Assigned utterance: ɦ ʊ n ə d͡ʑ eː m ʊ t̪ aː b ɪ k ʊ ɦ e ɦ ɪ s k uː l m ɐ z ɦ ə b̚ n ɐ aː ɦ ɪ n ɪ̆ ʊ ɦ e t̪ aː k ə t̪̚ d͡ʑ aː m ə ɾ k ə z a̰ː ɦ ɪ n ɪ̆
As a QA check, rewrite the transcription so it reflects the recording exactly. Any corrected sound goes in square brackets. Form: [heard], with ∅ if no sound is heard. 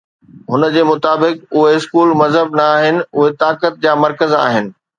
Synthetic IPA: ɦ ʊ n ə d͡ʑ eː m ʊ t̪ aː b ɪ k ʊ ɦ e [∅] ɪ s k uː l m ɐ z ɦ ə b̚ n ɐ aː ɦ ɪ n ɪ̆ ʊ ɦ e t̪ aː k ə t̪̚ d͡ʑ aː m [ɐ] ɾ k ə z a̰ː ɦ ɪ n ɪ̆